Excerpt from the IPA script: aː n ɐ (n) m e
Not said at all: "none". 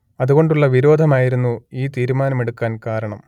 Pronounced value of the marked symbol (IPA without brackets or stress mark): none